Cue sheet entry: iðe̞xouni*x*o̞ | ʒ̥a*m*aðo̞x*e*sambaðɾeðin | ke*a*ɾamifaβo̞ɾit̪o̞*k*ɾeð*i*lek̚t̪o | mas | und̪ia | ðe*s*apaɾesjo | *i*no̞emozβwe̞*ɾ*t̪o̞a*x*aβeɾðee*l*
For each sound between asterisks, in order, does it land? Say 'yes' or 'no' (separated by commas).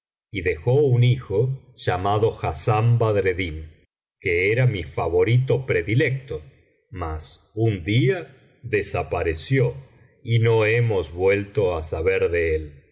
yes, yes, no, no, no, yes, yes, yes, no, no, yes